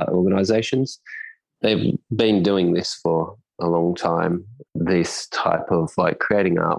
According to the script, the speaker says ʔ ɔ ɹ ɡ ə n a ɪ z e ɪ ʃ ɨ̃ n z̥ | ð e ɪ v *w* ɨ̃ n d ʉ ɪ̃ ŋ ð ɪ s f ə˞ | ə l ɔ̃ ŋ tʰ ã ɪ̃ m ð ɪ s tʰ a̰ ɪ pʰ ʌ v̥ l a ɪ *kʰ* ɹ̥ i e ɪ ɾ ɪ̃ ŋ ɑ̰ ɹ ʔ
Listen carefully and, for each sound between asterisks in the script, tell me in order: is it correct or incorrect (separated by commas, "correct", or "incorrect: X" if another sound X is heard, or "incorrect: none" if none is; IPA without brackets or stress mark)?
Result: incorrect: b, correct